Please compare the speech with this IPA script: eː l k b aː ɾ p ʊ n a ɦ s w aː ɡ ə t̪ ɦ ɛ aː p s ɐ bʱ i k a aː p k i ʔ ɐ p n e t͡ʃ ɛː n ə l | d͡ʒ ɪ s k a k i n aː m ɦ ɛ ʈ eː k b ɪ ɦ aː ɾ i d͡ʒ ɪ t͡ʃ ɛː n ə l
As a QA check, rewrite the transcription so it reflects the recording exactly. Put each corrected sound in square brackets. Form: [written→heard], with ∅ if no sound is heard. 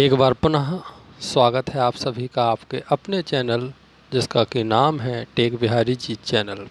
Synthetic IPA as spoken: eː [l→∅] k b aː ɾ p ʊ n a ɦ s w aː ɡ ə t̪ ɦ ɛ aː p s ɐ bʱ i k a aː p k [i→e] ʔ ɐ p n e t͡ʃ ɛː n ə l | d͡ʒ ɪ s k a k i n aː m ɦ ɛ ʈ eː k b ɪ ɦ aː ɾ i d͡ʒ [ɪ→i] t͡ʃ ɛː n ə l

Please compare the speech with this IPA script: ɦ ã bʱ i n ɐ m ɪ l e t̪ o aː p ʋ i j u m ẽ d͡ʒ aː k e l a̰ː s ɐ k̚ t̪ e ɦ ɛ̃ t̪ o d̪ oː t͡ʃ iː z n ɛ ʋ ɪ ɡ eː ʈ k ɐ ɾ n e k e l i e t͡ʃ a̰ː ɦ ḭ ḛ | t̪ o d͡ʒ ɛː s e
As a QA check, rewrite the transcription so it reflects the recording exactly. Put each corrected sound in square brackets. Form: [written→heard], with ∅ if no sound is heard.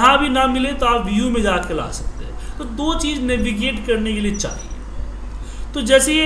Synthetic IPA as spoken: ɦ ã bʱ i n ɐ m ɪ l e t̪ o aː p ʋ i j u m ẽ d͡ʒ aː k e l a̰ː s ɐ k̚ t̪ e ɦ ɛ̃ t̪ o d̪ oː t͡ʃ iː z n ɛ ʋ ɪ ɡ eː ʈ k ɐ ɾ n e k e l i e t͡ʃ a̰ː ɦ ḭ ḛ | t̪ o d͡ʒ ɛː s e

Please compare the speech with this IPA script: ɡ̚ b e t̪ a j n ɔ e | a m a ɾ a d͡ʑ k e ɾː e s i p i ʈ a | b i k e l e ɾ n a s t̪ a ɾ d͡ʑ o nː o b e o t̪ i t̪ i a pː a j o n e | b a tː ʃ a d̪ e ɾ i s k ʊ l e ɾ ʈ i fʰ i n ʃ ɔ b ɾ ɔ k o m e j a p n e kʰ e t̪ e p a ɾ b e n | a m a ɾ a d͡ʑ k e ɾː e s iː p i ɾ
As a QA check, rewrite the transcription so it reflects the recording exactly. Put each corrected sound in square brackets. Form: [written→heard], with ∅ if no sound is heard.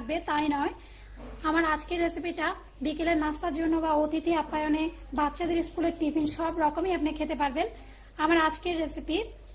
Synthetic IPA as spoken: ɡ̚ b e t̪ a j n ɔ e | a m a ɾ a d͡ʑ k e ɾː e s i p i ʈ a | b i k e l e ɾ n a s t̪ a ɾ d͡ʑ o nː o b [e→a] o t̪ i t̪ i a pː a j o n e | b a tː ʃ a d̪ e ɾ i s k [ʊ→u] l e ɾ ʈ i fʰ i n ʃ ɔ b ɾ ɔ k o m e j a p n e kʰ e t̪ e p a ɾ b e n | a m a ɾ a d͡ʑ k e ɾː e s [iː→i] p i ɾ

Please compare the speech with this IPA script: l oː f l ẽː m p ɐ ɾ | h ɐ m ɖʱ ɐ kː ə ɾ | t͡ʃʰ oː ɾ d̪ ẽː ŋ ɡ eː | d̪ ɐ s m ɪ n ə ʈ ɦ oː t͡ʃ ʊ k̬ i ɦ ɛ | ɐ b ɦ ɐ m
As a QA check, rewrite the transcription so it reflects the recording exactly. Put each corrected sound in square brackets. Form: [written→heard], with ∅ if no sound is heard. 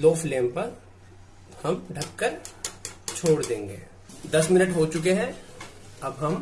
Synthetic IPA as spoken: l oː f l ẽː m p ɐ ɾ | h ɐ m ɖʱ ɐ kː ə ɾ | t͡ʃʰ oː [ɾ→ɽ] d̪ ẽː ŋ ɡ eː | d̪ ɐ s m ɪ n ə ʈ ɦ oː t͡ʃ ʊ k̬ [i→e] ɦ ɛ | ɐ b ɦ ɐ m

